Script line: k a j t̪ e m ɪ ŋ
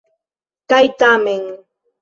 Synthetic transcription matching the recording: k a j t̪ a m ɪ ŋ